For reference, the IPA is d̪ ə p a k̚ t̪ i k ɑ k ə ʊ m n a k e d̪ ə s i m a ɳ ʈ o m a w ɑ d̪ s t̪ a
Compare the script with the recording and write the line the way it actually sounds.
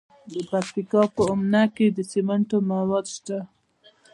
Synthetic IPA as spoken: d̪ ə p a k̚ t̪ i k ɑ p ə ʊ m n a k e d̪ ə s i m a ɳ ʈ o m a w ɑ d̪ ʃ t̪ a